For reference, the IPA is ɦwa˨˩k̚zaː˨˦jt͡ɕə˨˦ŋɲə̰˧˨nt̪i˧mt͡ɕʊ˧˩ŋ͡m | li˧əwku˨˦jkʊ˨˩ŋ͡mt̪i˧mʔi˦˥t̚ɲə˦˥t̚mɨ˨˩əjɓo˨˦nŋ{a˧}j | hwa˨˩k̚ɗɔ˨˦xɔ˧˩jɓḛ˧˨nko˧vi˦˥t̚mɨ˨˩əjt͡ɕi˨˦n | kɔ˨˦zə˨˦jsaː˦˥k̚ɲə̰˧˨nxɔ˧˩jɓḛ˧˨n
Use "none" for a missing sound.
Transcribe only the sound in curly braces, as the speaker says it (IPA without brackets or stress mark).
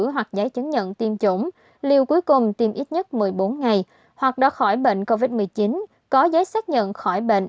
a˨˩